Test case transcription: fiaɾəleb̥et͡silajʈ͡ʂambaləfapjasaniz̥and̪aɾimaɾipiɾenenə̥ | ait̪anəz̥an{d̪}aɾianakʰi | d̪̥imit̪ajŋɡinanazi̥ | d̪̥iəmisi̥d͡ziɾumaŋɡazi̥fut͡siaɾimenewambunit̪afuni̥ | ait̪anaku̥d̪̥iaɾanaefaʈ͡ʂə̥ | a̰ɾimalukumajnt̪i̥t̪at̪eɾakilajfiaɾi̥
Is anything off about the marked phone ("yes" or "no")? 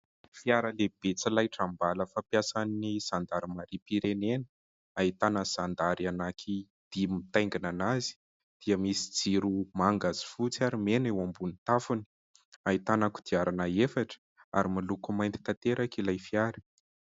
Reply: no